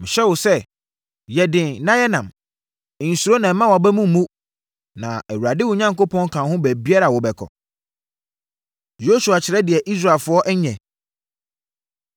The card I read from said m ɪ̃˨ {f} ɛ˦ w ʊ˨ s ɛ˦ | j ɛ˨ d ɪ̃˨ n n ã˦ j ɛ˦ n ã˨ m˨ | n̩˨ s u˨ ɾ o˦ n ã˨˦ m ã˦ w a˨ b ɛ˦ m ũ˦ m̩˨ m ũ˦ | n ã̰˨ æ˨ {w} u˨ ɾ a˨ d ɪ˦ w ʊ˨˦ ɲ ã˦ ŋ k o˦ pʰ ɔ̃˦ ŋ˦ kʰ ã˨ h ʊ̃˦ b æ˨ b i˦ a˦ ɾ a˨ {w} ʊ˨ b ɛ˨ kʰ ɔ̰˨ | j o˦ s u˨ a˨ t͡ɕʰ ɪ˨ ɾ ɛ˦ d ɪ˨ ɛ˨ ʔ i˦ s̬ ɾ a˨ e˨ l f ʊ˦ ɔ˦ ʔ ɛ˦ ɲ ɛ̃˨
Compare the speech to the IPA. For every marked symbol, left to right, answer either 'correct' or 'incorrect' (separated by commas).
incorrect, correct, correct